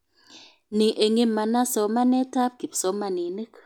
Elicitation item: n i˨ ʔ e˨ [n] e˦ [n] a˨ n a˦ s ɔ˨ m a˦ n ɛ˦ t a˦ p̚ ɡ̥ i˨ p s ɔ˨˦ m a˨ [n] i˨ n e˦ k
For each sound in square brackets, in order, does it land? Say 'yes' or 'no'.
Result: no, no, yes

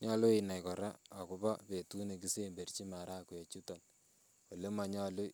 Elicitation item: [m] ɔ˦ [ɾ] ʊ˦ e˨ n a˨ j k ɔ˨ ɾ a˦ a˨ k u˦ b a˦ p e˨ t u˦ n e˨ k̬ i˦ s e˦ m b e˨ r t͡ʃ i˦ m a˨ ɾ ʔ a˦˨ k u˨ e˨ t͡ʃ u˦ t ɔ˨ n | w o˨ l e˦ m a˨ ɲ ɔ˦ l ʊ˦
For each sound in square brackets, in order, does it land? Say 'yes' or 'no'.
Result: no, no

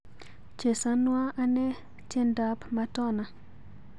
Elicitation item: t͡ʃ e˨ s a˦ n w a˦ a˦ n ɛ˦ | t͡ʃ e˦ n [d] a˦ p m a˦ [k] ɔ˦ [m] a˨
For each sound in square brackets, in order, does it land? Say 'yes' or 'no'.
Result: yes, no, no

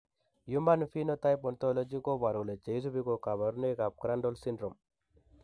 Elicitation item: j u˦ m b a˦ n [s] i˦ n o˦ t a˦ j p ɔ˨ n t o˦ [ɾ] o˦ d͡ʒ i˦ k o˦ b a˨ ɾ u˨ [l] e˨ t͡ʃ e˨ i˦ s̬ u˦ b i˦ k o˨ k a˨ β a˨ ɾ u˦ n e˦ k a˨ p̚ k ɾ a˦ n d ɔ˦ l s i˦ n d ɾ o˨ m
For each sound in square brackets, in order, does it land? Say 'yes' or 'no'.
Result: no, no, yes

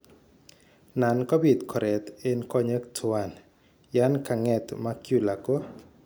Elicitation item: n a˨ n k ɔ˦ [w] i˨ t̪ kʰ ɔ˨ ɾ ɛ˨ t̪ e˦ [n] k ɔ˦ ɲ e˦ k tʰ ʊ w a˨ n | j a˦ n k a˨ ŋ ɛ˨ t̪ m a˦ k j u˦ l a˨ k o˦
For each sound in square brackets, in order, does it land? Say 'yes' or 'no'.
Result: no, yes

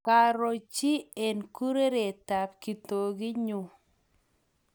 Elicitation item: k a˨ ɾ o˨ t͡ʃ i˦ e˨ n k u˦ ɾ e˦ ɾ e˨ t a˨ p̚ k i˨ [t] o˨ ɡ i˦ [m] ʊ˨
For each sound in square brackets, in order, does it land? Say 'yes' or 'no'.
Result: yes, no

